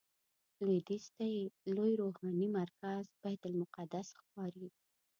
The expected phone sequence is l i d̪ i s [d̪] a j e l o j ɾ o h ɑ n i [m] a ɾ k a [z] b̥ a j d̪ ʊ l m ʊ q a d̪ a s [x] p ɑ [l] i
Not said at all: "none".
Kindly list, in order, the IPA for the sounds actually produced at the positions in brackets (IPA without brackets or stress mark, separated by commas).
t̪, m, z, x, ɾ